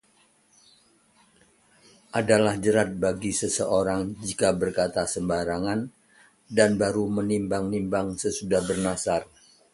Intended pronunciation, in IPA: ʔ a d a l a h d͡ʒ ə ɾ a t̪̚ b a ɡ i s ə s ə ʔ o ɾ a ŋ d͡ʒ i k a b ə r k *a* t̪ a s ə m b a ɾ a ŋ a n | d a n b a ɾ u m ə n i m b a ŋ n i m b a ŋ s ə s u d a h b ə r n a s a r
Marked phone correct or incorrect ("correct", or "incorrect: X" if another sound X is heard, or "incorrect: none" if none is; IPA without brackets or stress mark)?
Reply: correct